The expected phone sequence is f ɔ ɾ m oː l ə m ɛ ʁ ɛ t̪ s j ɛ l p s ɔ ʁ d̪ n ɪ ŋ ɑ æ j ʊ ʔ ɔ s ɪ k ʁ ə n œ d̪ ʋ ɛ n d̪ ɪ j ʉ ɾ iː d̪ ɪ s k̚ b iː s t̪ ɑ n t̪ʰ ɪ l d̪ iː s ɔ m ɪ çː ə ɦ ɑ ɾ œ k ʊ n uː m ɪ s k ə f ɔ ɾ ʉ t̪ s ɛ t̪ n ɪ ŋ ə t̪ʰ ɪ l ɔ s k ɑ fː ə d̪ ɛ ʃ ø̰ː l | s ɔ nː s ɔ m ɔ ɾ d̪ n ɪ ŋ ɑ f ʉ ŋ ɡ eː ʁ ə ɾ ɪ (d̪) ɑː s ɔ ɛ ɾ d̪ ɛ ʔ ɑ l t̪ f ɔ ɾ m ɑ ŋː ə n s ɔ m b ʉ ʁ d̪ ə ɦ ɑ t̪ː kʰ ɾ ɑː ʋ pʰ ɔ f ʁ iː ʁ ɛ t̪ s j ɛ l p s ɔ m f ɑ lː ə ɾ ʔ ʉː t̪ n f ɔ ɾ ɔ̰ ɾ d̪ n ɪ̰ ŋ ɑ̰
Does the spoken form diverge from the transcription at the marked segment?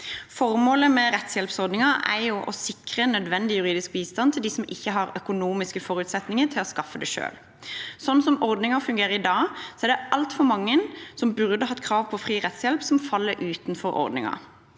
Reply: no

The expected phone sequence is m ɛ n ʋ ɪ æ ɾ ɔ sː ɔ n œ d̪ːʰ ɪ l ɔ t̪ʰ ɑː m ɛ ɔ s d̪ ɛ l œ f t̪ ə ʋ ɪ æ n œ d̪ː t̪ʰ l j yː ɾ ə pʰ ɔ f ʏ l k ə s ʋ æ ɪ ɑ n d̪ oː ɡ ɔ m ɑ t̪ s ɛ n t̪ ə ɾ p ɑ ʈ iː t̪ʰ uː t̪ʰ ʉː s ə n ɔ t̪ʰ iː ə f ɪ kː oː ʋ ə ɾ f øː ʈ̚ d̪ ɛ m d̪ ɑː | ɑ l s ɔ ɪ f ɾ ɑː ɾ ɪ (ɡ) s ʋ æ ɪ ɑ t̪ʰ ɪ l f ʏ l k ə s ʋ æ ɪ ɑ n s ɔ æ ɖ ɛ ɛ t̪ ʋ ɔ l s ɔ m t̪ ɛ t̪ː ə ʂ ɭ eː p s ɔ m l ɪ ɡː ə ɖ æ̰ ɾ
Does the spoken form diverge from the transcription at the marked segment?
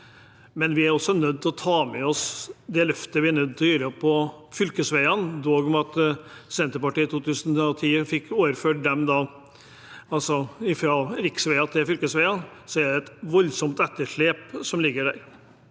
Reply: yes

